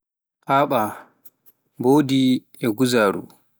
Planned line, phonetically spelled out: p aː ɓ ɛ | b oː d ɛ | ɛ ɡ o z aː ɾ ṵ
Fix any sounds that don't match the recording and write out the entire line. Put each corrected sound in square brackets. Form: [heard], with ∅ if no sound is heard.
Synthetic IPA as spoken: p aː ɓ [a] | b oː d [i] | ɛ ɡ [u] z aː ɾ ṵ